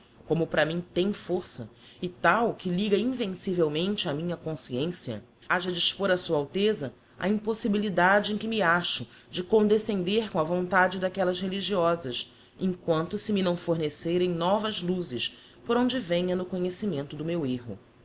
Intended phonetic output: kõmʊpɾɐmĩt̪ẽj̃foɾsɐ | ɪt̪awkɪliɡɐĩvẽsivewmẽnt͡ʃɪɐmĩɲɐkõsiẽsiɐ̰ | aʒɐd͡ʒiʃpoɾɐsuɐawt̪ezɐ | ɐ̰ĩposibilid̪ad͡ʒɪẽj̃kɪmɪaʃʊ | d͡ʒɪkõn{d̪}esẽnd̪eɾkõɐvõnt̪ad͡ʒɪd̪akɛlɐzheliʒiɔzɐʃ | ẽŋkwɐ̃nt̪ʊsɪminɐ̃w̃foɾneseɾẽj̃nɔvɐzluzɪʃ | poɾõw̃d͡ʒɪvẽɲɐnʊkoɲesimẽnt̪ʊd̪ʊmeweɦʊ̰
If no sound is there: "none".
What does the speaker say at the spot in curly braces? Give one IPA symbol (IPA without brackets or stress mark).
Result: d̪